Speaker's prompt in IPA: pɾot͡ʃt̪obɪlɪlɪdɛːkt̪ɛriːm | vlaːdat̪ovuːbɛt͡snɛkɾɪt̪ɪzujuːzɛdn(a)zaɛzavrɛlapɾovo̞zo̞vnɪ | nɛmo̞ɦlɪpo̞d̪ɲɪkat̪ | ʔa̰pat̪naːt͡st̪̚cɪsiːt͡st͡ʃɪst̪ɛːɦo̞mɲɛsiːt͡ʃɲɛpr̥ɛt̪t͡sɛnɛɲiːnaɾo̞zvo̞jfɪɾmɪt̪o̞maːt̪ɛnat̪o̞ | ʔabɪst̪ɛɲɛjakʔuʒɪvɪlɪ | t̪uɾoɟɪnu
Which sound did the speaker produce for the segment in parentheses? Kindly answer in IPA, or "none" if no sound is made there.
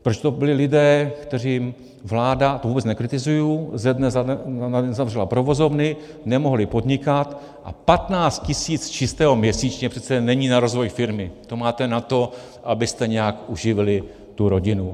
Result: ɛ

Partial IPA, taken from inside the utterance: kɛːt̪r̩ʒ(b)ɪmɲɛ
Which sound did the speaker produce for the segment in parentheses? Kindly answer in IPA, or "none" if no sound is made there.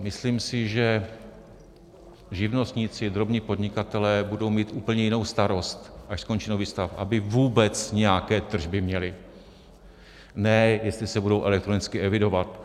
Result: b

